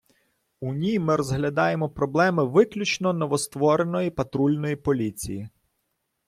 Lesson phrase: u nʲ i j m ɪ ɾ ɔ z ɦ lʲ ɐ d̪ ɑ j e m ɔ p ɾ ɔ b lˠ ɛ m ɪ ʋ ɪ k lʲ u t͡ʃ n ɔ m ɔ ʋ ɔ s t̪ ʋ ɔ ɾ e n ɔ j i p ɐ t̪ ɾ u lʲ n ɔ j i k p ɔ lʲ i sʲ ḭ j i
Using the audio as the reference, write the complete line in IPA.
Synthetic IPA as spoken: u nʲ i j m ɪ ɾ ɔ z ɦ lʲ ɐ d̪ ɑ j e m ɔ p ɾ ɔ b lˠ ɛ m ɪ ʋ ɪ k lʲ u t͡ʃ n ɔ n ɔ ʋ ɔ s t̪ ʋ ɔ ɾ e n ɔ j i p ɐ t̪ ɾ u lʲ n ɔ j i p ɔ lʲ i t͡sʲ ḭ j i